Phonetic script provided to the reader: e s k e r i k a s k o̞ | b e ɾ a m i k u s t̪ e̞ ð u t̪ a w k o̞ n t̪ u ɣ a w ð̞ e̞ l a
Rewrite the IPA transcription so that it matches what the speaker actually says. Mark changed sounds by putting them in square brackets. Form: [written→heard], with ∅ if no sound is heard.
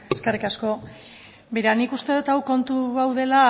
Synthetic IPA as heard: e s k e r i k a s k o̞ | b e ɾ a [m→n] i k u s t̪ e̞ ð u t̪ a w k o̞ n t̪ u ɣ a w ð̞ e̞ l a